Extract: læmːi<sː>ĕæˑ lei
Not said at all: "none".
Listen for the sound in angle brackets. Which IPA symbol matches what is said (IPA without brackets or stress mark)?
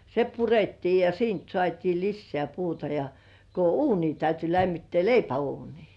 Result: tː